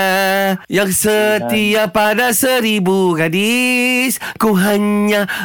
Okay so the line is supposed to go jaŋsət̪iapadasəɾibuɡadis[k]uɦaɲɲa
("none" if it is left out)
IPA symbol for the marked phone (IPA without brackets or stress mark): k